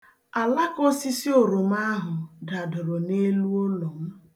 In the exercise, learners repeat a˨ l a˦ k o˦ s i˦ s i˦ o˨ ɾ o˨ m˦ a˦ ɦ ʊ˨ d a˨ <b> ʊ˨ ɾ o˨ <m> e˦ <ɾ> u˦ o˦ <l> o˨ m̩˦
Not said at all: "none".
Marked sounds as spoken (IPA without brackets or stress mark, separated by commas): d, n, l, l